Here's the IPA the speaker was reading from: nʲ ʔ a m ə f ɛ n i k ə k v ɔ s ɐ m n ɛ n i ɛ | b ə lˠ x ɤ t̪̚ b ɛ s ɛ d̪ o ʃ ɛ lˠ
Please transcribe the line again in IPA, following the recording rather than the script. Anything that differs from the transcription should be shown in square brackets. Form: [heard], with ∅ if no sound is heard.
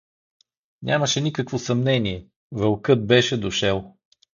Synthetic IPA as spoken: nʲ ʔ a m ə [ʃ] ɛ n i k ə k v [o] s ɐ m n ɛ n i ɛ | [v] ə lˠ [k] ɤ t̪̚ b ɛ [ʃ] ɛ d̪ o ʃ ɛ lˠ